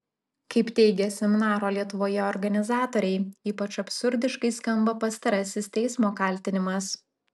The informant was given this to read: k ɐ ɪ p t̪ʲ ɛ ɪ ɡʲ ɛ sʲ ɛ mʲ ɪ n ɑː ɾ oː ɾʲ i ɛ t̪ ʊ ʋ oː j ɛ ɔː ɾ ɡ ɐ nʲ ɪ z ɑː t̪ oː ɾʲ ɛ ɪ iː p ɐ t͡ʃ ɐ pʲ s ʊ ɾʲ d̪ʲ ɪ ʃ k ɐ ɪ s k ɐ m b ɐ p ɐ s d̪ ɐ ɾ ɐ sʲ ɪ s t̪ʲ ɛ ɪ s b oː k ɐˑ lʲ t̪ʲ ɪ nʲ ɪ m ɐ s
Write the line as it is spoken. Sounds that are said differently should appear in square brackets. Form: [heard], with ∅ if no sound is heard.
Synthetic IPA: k ɐ ɪ p t̪ʲ ɛ ɪ ɡʲ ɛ sʲ ɛ mʲ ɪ n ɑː ɾ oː [lʲ] i ɛ t̪ ʊ ʋ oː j ɛ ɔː ɾ ɡ ɐ nʲ ɪ z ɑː t̪ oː ɾʲ ɛ ɪ iː p ɐ t͡ʃ ɐ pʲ s ʊ ɾʲ d̪ʲ ɪ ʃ k ɐ ɪ s k ɐ m b ɐ p ɐ s [t̪] ɐ ɾ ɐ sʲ ɪ s t̪ʲ ɛ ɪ s [m] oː k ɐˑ lʲ t̪ʲ ɪ nʲ ɪ m ɐ s